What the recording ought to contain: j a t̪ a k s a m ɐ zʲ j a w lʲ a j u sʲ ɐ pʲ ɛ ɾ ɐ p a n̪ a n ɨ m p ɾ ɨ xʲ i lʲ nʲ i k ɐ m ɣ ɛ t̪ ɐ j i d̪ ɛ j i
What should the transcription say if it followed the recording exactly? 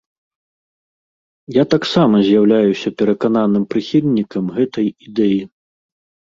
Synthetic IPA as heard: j a t̪ a k s a m ɐ zʲ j a w lʲ a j u sʲ ɐ pʲ ɛ ɾ ɐ k a n̪ a n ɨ m p ɾ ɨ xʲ i lʲ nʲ i k ɐ m ɣ ɛ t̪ ɐ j i d̪ ɛ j i